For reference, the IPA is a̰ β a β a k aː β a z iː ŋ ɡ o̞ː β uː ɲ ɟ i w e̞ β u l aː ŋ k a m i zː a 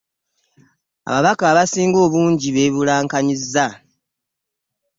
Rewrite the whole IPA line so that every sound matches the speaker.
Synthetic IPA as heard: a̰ β a β a k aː β a s iː ŋ ɡ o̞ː β uː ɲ ɟ i β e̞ β u l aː ŋ k a ɲ i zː a